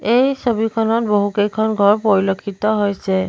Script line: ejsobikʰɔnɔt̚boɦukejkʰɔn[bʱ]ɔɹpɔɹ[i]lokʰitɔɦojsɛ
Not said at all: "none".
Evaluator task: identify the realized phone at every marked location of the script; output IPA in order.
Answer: ɡʱ, i

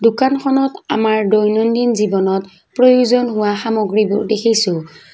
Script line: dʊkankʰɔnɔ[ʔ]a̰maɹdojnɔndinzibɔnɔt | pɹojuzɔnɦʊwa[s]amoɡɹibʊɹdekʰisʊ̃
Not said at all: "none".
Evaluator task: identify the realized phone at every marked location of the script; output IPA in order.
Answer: t, x

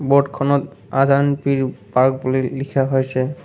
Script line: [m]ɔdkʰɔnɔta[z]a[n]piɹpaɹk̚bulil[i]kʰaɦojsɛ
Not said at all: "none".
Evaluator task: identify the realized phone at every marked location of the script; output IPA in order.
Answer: b, z, n, i

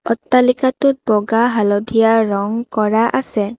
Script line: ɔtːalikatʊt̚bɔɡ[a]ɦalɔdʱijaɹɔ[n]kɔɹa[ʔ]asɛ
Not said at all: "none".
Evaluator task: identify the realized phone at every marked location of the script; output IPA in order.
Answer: a, ŋ, ʔ

